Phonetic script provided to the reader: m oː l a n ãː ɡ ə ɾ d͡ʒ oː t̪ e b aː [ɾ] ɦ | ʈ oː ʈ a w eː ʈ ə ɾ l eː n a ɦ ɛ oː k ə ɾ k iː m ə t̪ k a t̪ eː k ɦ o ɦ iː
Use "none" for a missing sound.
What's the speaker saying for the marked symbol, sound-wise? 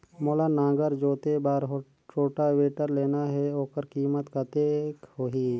ɾ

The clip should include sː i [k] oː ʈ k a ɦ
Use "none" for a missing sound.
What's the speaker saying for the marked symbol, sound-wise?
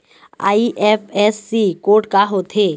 k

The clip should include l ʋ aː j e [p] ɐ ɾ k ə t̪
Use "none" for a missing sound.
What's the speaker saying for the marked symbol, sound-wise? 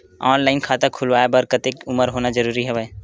b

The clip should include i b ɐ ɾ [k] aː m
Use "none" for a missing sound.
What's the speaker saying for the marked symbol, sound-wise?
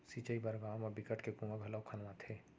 ɡ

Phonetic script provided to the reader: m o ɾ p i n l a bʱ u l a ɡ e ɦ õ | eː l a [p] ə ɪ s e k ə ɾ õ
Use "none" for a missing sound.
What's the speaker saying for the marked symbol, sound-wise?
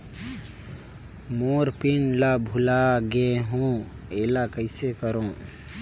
k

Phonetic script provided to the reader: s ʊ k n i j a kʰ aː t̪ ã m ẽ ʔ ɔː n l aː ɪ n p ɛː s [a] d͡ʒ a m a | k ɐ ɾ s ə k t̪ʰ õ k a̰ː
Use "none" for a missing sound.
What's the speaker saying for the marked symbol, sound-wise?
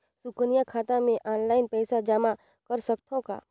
a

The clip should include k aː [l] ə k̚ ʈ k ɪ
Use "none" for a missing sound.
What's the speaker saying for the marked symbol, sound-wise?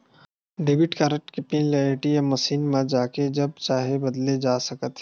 ɾ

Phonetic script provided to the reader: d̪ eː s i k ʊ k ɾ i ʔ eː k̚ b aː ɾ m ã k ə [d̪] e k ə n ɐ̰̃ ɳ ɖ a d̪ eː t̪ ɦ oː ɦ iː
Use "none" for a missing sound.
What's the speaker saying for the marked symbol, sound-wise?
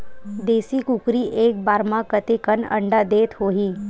t̪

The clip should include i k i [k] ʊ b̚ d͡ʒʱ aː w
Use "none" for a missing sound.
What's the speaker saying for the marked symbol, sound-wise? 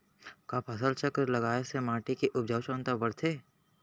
ʔ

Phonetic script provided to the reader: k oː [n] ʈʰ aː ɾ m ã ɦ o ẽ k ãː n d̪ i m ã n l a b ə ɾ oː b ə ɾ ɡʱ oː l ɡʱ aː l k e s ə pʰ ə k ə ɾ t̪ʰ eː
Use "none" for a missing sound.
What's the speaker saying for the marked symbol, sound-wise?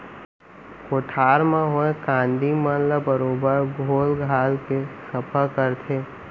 none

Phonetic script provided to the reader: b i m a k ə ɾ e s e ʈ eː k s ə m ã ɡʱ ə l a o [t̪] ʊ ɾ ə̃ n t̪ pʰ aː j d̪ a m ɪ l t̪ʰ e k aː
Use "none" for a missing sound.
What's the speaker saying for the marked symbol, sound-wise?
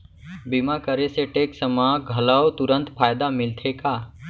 t̪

